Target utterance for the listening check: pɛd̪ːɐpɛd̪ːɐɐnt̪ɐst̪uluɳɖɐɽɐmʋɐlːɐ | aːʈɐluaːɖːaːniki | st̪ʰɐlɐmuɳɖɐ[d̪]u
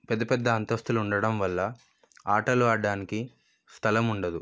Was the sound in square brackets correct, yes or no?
yes